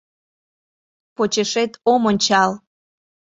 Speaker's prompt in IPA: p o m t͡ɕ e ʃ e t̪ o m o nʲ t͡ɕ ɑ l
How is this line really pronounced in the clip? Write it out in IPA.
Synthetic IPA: p o t͡ɕ e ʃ e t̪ o m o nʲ t͡ɕ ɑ l